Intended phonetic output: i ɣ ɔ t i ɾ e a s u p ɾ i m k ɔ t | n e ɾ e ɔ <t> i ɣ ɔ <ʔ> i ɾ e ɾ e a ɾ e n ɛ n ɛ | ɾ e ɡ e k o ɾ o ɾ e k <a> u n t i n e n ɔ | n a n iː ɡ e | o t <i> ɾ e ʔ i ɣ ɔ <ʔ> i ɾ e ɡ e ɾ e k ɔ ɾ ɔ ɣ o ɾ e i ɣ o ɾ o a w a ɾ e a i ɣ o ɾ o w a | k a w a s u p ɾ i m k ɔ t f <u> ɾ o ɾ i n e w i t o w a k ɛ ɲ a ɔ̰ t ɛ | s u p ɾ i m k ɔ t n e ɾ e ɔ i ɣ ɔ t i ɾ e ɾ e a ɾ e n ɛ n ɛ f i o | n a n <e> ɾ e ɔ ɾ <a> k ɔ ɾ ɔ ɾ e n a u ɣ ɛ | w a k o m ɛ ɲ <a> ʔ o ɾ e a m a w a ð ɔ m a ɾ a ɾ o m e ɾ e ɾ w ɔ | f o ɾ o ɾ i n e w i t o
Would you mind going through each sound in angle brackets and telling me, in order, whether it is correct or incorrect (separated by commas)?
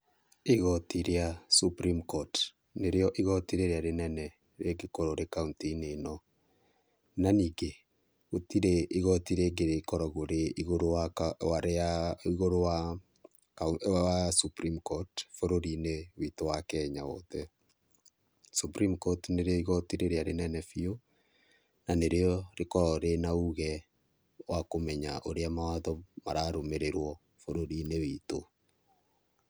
incorrect, incorrect, correct, correct, incorrect, incorrect, correct, incorrect, correct